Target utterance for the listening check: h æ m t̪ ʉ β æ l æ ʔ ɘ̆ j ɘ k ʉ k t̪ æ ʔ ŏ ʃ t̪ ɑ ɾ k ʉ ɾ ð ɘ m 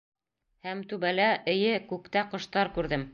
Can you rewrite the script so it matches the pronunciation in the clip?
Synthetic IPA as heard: h æ m t̪ ʉ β æ l æ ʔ ɘ̆ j ɘ k ʉ k t̪ æ q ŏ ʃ t̪ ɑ ɾ k ʉ ɾ ð ɘ m